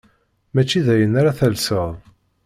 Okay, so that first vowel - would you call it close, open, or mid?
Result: open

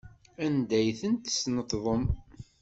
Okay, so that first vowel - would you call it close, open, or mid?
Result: open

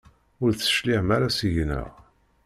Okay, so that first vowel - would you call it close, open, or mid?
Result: close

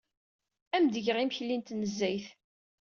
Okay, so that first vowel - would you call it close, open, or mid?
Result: open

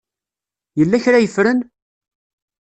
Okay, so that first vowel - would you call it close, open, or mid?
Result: mid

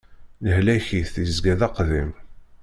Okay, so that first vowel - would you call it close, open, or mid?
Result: mid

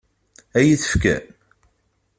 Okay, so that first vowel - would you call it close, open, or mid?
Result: open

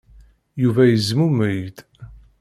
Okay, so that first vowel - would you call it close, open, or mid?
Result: close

